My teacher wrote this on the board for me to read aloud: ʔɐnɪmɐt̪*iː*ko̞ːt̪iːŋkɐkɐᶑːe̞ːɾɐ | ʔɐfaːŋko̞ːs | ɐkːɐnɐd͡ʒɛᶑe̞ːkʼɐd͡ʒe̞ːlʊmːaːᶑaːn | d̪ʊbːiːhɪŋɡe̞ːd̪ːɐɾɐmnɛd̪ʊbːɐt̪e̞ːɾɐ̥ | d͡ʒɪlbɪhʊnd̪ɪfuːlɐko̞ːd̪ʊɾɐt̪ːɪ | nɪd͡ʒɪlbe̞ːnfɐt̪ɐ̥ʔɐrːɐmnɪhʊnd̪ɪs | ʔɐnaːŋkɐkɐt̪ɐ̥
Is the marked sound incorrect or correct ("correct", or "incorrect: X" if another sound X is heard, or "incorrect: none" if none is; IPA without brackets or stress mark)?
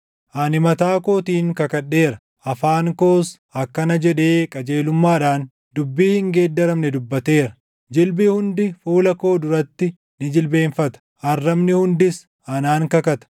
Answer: incorrect: aː